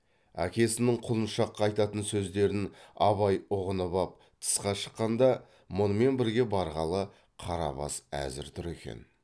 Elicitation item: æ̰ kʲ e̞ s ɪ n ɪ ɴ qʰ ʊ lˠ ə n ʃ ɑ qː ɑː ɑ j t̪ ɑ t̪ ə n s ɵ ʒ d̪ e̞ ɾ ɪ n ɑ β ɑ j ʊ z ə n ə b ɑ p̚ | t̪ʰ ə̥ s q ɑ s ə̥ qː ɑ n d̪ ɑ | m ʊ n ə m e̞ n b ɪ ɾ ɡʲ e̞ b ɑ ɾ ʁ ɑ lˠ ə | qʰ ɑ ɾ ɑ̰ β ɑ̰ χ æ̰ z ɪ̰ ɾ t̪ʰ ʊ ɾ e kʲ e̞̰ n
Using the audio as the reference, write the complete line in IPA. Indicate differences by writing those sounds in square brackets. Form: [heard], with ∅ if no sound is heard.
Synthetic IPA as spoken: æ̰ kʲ e̞ s ɪ n ɪ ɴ qʰ ʊ lˠ ə n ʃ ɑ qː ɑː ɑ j t̪ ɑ t̪ ə n s ɵ [z] d̪ e̞ ɾ ɪ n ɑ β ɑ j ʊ [ʁ] ə n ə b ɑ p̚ | t̪ʰ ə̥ s q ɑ [ʃ] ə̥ qː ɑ n d̪ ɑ | m ʊ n ə m e̞ n b ɪ ɾ ɡʲ e̞ b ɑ ɾ ʁ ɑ lˠ ə | qʰ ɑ ɾ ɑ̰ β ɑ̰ [s] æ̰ z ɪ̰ ɾ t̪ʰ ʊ ɾ e kʲ e̞̰ n